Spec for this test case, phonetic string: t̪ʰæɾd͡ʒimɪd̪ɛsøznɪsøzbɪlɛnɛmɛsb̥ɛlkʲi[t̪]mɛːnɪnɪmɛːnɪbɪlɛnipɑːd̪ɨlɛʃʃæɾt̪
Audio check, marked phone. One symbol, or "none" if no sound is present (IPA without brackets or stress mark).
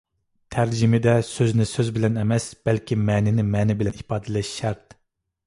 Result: none